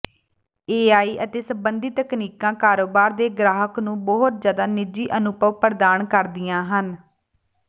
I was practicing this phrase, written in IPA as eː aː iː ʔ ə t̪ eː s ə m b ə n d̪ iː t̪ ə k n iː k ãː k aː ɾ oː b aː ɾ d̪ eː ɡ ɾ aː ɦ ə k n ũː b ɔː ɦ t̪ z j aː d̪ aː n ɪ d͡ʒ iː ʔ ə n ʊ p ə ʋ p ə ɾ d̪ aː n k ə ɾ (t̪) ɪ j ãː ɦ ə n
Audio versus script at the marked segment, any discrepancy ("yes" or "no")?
yes